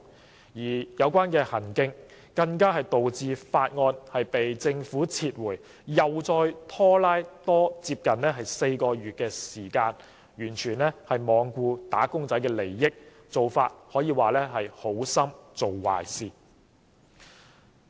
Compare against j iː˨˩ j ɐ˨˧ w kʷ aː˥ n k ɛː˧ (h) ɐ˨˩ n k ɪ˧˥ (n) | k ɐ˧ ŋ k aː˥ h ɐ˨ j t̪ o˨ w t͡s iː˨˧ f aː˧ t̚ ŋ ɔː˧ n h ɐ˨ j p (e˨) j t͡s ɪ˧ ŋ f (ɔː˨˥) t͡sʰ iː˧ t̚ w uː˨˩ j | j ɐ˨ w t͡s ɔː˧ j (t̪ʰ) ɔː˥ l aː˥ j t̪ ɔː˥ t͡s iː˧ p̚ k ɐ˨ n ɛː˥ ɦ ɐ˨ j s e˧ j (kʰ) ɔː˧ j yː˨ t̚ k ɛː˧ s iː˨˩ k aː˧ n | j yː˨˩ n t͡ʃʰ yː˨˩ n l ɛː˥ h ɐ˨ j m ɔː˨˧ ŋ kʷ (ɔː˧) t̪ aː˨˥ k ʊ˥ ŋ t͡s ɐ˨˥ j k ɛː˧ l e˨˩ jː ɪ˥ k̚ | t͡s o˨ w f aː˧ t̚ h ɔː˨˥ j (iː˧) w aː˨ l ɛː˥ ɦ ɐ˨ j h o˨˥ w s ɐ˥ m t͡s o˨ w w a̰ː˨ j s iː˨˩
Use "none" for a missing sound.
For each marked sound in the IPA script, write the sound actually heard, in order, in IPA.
h, ŋ, e˨, uː˨˥, t̪ʰ, k, uː˧, iː˧

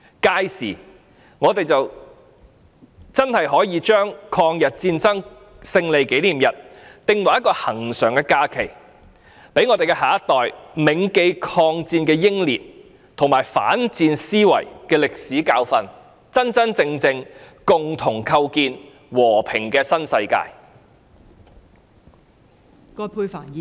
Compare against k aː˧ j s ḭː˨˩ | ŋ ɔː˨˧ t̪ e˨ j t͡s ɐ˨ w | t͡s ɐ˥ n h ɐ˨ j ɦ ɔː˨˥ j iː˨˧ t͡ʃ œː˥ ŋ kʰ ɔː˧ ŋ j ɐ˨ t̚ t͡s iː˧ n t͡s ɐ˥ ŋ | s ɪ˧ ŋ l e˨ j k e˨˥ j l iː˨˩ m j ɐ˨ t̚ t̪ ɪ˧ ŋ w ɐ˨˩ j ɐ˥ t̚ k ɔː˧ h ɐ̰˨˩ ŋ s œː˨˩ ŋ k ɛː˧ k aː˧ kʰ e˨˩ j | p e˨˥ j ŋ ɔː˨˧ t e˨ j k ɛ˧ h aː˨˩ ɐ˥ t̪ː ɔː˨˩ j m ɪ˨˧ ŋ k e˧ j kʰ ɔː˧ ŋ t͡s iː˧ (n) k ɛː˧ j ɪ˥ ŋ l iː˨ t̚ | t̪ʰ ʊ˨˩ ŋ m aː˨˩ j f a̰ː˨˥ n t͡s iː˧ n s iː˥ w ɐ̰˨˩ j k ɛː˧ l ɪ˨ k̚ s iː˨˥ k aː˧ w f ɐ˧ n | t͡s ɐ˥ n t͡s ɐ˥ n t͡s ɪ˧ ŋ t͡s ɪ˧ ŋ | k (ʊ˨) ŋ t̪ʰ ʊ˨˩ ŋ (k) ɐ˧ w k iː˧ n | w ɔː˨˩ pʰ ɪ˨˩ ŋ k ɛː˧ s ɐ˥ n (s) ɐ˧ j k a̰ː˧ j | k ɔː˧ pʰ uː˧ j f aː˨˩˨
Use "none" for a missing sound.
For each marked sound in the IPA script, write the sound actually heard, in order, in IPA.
n, ʊ˨, kʰ, s

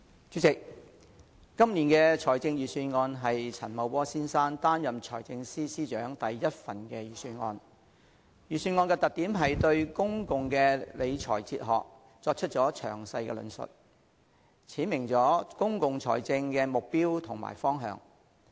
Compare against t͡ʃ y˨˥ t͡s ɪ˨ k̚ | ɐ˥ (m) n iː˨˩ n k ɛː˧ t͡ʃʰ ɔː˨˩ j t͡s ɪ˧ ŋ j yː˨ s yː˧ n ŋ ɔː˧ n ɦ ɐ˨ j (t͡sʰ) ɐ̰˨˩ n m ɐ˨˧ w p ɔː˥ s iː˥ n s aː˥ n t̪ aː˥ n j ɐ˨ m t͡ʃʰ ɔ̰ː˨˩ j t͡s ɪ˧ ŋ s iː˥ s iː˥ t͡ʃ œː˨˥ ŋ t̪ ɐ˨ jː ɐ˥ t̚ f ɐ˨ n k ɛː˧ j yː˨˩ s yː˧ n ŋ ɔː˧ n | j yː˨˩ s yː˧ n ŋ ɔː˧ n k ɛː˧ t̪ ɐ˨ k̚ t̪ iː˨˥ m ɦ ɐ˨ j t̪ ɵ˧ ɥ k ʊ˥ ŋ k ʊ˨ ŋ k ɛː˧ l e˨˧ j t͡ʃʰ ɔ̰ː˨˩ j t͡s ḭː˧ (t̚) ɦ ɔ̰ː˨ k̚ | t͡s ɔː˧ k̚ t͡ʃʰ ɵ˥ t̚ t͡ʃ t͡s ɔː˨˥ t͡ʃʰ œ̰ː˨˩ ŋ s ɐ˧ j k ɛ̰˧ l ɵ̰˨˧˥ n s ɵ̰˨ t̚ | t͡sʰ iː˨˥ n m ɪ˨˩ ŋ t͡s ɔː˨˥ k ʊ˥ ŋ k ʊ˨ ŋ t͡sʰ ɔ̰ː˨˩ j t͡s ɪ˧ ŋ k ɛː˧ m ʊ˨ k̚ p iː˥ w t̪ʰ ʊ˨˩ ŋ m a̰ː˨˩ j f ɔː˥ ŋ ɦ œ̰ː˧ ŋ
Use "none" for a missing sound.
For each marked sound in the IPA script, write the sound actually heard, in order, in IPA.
m, t͡sʰ, t̚

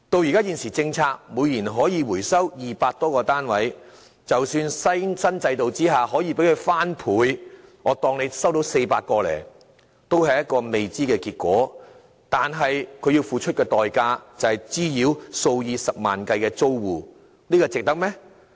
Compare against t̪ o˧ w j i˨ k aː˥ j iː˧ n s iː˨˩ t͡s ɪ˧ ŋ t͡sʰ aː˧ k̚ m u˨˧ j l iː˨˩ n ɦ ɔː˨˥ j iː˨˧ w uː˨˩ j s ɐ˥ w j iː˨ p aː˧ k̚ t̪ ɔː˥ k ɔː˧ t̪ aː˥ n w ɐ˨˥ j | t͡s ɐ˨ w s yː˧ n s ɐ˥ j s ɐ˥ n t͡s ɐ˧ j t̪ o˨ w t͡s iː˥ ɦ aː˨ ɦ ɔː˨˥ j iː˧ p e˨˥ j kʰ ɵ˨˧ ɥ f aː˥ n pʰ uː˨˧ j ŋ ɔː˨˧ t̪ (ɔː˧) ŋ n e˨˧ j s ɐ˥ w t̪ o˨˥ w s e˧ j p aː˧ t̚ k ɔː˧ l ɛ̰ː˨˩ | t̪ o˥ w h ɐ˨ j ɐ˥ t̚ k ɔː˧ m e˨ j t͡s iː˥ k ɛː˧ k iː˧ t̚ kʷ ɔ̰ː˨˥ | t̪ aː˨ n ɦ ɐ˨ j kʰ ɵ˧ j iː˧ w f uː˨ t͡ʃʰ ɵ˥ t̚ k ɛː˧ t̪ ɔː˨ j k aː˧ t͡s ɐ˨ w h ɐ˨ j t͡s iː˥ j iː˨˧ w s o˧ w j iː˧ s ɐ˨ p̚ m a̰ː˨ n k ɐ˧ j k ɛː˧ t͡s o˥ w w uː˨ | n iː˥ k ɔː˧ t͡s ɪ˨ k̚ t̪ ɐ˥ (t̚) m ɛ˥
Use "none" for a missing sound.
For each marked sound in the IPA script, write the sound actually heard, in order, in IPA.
ɔː˧, k̚

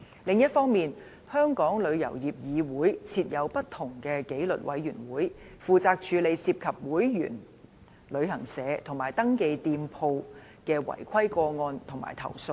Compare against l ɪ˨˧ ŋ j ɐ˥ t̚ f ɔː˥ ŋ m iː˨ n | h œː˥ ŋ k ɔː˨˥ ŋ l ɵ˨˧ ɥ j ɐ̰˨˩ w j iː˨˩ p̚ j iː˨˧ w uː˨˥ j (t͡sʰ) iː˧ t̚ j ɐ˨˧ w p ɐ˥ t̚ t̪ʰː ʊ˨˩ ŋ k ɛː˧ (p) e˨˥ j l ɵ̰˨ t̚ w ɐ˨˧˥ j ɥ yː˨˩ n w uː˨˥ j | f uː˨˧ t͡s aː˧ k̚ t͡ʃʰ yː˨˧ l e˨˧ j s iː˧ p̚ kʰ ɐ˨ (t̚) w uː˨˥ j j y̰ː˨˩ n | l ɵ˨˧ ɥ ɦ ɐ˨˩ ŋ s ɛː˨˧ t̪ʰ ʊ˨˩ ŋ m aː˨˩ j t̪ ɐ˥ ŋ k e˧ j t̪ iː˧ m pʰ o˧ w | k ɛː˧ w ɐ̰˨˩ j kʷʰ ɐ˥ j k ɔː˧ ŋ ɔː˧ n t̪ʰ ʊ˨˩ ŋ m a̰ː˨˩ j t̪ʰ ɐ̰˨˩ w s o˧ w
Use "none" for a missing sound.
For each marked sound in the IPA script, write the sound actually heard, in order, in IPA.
t͡sʰ, k, p̚

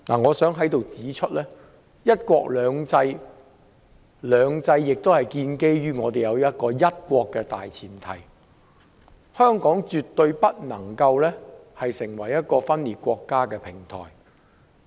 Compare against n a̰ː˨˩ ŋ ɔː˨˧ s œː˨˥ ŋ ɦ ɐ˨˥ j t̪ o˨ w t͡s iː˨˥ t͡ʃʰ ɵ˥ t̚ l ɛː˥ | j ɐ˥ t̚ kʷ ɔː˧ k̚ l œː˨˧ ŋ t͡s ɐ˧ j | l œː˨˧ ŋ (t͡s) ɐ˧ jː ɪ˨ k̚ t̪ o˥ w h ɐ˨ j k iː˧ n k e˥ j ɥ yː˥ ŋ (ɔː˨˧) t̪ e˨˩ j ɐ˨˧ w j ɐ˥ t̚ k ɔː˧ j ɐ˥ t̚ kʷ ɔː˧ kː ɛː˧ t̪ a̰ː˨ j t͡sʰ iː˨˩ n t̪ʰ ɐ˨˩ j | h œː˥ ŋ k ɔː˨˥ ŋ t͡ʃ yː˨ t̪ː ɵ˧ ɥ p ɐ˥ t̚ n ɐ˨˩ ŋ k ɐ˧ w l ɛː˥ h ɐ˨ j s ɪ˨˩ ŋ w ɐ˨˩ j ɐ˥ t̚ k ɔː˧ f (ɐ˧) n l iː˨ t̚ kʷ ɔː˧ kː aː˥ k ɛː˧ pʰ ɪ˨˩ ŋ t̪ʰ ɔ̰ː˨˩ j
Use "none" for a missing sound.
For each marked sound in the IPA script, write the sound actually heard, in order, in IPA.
t͡s, ɔː˨˧, ɐ˥

